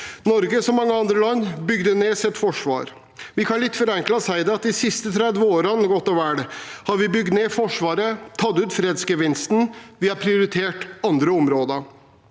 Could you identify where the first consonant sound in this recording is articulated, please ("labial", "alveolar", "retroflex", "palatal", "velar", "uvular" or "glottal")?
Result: alveolar